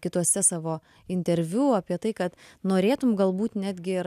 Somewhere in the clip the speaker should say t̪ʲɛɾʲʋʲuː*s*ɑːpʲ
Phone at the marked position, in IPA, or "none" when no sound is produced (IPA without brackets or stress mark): none